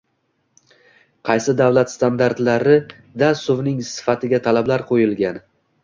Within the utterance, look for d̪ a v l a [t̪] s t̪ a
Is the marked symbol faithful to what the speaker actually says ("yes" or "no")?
yes